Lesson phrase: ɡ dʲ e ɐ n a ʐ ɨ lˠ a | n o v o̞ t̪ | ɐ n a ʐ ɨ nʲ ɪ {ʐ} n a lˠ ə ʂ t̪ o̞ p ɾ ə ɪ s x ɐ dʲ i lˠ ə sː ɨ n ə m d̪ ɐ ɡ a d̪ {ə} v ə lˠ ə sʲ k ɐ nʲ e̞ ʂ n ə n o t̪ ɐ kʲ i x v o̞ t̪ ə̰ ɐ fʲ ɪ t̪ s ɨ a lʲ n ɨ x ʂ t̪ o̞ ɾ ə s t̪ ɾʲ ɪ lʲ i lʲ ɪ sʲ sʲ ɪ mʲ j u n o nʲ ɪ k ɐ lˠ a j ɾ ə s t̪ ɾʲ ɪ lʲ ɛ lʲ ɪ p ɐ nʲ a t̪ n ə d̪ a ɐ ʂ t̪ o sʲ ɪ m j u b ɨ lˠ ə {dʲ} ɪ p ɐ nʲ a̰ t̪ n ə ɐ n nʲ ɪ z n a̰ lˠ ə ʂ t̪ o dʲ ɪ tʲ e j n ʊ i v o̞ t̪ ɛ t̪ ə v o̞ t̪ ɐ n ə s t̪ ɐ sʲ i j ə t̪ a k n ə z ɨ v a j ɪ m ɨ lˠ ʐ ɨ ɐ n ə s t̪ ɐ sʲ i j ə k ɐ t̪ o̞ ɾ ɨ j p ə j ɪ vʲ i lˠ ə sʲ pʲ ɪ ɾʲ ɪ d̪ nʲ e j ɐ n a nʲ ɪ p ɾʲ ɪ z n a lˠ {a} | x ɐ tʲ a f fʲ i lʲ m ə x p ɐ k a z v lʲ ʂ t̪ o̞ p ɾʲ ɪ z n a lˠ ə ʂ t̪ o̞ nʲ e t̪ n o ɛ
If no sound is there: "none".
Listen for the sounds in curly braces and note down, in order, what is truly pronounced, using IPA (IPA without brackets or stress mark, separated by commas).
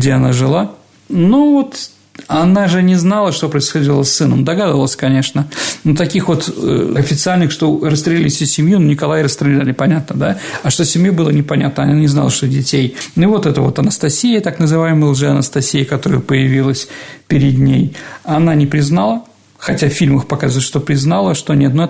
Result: z, ə, nʲ, ə